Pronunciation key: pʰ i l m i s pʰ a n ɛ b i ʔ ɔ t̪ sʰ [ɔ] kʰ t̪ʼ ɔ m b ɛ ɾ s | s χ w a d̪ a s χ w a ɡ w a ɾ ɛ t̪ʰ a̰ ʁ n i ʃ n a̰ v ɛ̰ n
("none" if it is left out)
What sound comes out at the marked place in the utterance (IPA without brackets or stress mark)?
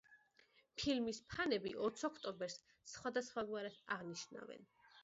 ɔ